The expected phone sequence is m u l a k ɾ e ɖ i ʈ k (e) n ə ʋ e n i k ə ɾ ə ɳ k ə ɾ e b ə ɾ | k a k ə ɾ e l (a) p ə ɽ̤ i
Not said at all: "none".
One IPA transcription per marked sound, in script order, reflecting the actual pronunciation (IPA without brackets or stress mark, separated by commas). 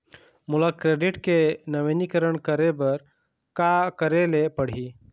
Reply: e, e